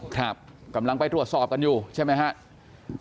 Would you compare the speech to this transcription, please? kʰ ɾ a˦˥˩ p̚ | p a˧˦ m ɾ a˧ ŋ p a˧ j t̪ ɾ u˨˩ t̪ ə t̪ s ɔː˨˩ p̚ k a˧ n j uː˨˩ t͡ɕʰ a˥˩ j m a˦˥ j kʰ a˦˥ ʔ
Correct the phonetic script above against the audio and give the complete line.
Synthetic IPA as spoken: kʰ ɾ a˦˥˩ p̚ | k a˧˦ m l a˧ ŋ p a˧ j t̪ ɾ u˨˩ ə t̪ s ɔː˨˩ p̚ k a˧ n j uː˨˩ t͡ɕʰ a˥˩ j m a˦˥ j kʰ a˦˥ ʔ